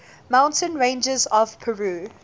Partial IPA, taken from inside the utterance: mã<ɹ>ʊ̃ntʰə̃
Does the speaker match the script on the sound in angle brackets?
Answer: no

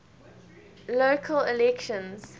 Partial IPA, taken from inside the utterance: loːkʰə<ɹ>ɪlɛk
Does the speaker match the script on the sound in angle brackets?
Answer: no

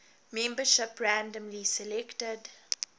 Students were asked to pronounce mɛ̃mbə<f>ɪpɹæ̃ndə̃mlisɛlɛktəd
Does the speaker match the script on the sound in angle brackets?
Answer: no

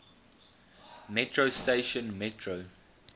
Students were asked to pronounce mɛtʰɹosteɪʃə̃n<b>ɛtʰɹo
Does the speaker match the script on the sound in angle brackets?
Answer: no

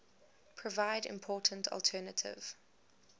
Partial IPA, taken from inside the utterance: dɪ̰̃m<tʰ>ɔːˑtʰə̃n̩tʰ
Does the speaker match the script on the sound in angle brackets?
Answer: no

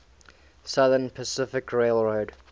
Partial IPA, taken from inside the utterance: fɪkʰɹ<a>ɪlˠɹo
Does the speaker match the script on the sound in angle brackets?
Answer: no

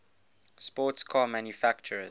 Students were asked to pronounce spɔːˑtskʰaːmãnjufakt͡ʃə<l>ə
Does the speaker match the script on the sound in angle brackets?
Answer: no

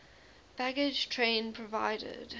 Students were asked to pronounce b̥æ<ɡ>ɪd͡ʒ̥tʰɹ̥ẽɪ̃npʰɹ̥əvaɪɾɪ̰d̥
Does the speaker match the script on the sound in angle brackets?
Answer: yes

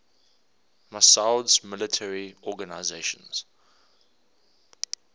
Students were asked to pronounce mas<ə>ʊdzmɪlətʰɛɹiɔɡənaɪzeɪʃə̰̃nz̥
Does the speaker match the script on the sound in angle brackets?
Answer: no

